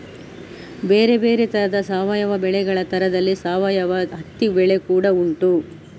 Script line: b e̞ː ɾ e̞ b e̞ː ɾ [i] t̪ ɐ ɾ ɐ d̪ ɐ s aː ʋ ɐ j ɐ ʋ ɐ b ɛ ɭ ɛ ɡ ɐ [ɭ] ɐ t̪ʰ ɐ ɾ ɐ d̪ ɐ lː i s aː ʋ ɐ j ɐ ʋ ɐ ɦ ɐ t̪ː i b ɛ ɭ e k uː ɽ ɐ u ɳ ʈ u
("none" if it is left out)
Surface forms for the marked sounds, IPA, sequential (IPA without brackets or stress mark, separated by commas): e, ɭ